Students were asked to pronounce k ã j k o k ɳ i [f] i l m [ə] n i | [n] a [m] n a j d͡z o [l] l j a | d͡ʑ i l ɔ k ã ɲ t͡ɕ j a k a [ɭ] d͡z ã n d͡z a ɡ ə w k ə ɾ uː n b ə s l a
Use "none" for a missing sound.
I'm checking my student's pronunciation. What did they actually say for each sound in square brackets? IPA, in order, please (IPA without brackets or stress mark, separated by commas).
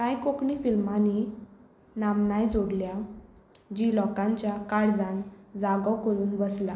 f, a, n, m, ɽ, ɽ